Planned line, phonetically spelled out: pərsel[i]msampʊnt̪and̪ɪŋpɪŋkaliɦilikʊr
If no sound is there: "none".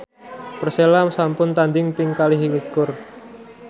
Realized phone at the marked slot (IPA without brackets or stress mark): a